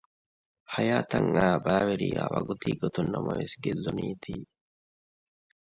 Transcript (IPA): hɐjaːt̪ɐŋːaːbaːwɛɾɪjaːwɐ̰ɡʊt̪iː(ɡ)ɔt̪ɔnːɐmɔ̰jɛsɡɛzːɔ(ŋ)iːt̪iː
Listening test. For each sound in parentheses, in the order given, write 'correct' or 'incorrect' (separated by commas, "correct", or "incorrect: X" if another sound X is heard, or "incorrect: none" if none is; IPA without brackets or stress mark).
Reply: correct, incorrect: n